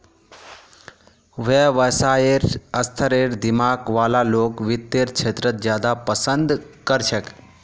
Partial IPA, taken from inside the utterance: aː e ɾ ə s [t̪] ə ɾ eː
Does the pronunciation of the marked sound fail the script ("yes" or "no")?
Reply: yes